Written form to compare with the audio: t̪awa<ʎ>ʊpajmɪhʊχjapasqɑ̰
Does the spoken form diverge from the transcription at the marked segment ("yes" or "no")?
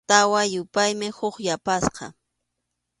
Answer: yes